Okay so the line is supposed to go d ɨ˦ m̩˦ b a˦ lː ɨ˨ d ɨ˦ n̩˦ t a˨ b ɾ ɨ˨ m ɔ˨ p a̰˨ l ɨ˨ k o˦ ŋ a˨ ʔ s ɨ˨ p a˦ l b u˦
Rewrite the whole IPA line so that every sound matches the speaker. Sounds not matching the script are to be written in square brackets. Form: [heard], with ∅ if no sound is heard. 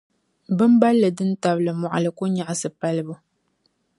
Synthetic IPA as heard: [b] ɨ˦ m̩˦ b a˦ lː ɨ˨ d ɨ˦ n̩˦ t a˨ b [l] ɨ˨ m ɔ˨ [ʔ] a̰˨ l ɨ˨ k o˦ [ɲ] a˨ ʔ s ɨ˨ p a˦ l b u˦